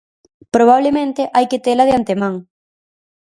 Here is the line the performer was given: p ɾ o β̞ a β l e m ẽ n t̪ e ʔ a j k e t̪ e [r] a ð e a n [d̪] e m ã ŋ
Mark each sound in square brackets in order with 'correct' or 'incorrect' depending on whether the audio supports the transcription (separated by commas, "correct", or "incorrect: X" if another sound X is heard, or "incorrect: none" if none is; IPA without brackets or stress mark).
incorrect: l, incorrect: t̪